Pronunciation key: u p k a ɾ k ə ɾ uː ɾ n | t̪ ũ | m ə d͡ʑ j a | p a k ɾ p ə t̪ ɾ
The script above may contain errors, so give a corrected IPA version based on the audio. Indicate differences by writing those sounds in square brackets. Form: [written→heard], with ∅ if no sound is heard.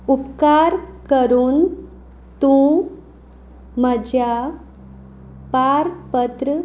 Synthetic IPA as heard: u p k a ɾ k ə ɾ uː [ɾ→∅] n | t̪ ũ | m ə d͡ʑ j a | p a [k→∅] ɾ p ə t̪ ɾ